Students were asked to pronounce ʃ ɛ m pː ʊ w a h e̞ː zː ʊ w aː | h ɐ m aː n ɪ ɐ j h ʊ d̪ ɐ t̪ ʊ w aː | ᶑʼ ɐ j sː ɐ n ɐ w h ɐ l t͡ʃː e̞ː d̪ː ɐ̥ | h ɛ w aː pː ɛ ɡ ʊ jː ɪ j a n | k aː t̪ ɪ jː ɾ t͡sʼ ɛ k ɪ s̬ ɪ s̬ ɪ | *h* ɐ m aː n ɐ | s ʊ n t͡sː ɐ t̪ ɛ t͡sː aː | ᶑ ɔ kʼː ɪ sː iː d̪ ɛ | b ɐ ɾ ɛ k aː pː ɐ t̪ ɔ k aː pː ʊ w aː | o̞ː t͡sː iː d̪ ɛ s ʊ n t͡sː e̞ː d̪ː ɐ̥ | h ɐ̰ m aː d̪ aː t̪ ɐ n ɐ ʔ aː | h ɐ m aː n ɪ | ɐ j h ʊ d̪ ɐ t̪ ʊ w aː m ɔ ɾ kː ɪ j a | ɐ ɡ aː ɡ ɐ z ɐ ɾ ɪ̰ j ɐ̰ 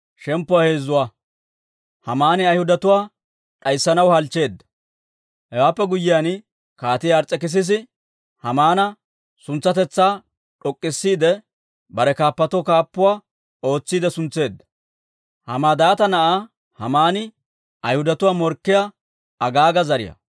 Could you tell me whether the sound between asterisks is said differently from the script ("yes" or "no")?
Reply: no